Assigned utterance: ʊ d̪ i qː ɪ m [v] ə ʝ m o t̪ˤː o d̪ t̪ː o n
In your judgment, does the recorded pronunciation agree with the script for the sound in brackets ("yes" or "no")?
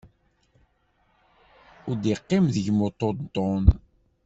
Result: no